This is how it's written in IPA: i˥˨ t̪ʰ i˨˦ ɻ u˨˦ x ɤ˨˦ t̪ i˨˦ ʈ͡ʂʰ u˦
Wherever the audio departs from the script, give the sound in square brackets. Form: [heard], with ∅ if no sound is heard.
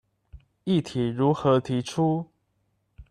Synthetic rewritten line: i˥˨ t̪ʰ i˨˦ ɻ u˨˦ x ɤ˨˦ [t̪ʰ] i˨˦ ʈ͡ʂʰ u˦